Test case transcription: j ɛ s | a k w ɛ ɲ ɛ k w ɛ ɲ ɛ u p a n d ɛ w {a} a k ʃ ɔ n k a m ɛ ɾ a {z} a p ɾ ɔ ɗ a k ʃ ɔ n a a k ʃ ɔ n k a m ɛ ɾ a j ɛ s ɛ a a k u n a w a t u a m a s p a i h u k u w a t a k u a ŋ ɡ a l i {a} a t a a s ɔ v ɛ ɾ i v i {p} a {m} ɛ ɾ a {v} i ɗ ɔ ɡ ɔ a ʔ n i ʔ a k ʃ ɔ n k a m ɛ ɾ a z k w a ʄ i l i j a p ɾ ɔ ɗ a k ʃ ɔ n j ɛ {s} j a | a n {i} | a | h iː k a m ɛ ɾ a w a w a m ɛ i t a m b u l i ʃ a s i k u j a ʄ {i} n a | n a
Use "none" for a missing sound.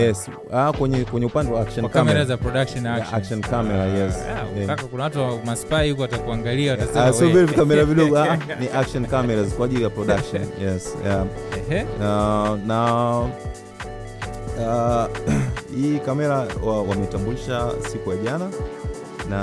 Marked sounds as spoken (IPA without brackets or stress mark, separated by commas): a, z, a, k, m, v, s, a, a